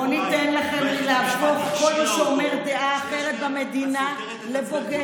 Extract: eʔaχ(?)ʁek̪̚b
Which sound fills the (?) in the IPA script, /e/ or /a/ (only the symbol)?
e